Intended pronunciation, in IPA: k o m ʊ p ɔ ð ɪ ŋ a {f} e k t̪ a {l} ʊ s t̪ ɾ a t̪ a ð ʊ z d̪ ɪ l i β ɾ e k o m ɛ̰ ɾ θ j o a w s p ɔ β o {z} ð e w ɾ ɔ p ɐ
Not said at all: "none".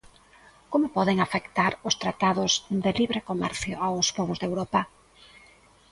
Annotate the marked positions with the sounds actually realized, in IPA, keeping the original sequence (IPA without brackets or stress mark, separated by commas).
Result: f, ɾ, z